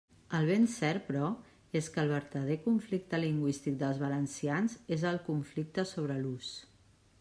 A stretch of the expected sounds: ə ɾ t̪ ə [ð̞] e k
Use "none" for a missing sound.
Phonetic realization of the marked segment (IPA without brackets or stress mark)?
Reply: ð̞